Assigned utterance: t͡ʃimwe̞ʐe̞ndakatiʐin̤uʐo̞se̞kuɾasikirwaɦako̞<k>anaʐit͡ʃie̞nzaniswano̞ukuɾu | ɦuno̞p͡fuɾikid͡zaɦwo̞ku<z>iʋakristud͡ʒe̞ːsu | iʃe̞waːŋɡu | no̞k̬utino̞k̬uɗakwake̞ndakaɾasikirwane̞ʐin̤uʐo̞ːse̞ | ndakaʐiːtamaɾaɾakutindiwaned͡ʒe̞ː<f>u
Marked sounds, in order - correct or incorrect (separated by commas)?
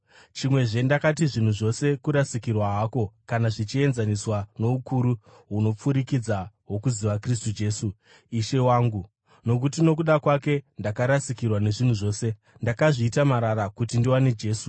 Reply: correct, correct, incorrect